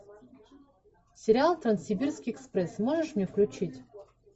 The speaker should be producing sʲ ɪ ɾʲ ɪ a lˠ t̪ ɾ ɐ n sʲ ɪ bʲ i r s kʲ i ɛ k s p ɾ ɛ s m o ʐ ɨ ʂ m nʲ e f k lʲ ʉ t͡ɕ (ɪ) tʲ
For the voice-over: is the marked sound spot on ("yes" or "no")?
no